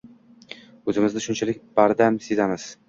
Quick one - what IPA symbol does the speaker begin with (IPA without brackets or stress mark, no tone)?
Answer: ɵ